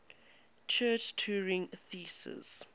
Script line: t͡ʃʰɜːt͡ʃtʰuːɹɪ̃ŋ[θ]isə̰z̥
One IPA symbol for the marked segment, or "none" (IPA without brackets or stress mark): θ